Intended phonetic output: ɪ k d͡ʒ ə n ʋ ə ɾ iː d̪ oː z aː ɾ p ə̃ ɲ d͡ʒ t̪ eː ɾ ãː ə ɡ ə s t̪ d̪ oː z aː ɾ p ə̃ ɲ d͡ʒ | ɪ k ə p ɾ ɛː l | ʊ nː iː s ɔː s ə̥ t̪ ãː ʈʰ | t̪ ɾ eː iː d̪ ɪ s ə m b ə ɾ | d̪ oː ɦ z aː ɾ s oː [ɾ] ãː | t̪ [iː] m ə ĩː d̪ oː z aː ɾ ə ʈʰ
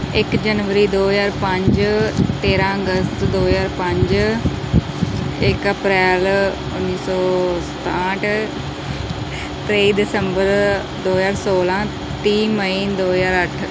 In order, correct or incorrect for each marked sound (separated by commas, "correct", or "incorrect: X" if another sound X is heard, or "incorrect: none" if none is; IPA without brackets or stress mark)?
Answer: incorrect: l, correct